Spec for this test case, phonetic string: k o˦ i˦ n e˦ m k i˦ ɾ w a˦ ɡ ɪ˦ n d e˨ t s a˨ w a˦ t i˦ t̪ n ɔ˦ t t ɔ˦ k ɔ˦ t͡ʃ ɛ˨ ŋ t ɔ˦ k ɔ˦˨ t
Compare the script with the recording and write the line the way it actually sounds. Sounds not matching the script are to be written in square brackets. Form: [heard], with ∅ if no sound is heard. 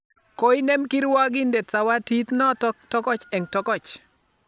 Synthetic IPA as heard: k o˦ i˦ n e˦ m k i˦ ɾ w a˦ ɡ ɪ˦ n d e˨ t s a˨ w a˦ t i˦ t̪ n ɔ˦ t t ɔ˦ k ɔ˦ t͡ʃ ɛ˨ ŋ t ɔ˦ k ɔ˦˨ [t͡ʃ]